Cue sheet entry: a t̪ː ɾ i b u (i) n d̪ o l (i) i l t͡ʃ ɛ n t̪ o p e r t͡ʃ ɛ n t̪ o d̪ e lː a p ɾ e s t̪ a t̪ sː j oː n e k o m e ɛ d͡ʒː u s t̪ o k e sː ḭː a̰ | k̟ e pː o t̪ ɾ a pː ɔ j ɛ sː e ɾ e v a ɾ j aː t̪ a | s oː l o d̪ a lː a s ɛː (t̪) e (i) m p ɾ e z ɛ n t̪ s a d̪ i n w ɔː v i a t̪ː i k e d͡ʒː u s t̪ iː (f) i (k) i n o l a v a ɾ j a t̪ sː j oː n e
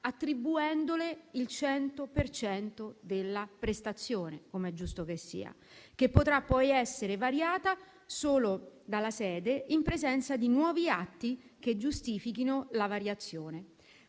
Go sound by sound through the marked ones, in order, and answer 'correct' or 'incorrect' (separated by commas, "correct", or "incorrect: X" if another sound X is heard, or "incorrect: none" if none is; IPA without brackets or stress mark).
incorrect: ɛ, incorrect: e, incorrect: d̪, correct, correct, correct